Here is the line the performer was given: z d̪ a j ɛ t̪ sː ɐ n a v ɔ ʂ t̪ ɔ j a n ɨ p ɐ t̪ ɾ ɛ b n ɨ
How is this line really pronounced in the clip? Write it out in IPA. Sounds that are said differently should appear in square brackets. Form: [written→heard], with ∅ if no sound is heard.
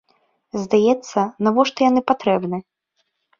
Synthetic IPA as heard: z d̪ a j ɛ t̪ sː ɐ n a v ɔ ʂ t̪ ɔ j a n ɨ p [ɐ→a] t̪ ɾ ɛ b n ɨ